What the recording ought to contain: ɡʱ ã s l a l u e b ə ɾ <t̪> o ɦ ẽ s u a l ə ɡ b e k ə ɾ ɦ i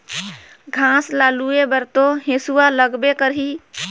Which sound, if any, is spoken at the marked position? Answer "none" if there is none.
t̪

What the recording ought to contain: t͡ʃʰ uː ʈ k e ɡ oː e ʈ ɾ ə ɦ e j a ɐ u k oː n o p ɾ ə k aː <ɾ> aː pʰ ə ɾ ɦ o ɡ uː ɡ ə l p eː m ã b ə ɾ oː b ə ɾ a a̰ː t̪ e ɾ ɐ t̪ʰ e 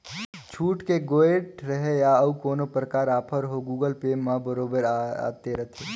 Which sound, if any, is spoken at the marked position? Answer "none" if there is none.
ɾ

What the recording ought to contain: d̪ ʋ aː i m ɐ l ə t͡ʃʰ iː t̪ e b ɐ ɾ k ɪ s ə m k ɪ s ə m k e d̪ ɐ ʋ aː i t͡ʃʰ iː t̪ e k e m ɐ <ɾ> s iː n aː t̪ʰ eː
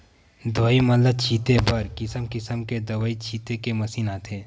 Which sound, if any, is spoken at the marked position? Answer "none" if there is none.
none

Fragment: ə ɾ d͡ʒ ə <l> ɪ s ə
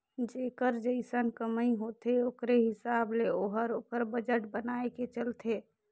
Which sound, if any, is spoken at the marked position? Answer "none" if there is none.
none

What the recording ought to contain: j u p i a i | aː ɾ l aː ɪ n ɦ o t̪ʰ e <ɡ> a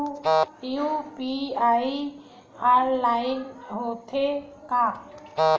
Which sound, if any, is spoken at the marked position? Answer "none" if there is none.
k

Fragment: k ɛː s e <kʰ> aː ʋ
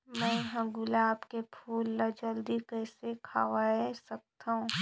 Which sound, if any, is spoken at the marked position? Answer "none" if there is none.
kʰ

